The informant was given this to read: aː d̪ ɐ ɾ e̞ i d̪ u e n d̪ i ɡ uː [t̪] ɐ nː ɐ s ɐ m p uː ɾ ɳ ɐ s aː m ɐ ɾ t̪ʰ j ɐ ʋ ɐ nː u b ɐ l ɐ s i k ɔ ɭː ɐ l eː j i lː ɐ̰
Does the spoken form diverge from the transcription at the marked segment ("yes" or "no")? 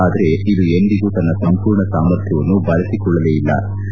no